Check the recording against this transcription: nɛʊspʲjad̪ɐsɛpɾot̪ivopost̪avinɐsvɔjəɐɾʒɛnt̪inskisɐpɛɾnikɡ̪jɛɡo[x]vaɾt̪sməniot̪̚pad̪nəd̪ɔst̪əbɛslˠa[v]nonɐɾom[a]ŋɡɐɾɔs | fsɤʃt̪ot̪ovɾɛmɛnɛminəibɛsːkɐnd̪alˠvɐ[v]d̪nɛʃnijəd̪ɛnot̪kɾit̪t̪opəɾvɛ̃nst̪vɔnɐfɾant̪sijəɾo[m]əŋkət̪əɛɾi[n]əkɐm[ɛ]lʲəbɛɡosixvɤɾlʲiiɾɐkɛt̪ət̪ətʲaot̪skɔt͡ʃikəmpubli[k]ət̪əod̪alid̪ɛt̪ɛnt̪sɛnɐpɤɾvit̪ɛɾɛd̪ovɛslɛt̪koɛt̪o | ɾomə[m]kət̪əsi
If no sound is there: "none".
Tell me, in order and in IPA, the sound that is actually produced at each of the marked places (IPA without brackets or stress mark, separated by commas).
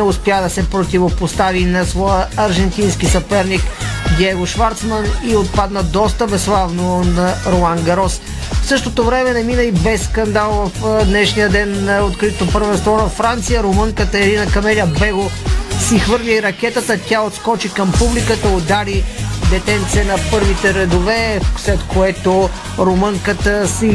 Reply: ʃ, v, a, f, m, n, ɛ, k, ŋ